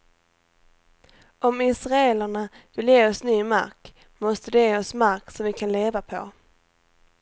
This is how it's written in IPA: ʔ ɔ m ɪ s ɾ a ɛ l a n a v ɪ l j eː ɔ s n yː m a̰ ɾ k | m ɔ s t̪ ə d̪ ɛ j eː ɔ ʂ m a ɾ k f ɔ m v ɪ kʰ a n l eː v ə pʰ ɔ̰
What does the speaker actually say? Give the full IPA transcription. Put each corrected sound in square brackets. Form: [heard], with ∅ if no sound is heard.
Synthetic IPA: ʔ ɔ m ɪ s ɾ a ɛ l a [ɳ] a v ɪ l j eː ɔ s n yː m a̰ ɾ k | m ɔ s t̪ ə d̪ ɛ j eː ɔ [s] m a ɾ k [s] ɔ m v ɪ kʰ a n l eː v [a] pʰ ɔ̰